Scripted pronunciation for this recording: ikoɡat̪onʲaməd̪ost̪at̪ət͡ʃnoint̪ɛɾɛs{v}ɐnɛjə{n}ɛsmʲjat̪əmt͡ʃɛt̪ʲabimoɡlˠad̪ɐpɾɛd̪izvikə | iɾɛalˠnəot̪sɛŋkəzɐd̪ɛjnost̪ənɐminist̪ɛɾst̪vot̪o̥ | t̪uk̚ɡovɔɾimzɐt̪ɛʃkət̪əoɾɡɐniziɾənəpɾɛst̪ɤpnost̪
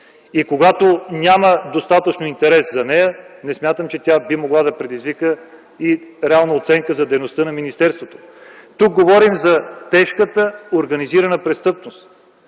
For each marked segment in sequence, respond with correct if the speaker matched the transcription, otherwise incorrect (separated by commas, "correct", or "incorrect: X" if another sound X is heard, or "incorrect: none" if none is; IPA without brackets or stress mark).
incorrect: z, correct